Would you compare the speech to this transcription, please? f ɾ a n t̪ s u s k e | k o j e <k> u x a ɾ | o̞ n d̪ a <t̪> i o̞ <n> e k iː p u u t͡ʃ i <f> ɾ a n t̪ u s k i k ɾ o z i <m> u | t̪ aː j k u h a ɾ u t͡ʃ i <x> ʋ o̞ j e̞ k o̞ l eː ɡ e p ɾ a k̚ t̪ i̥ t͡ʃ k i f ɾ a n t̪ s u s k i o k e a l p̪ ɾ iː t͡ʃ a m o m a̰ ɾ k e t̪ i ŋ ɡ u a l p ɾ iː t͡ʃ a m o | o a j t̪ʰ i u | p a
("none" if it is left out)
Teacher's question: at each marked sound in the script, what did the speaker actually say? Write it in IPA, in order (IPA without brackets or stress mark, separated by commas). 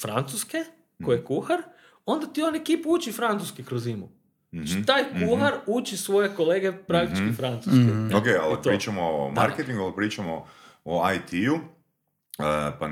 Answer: k, t̪, n, f, m, s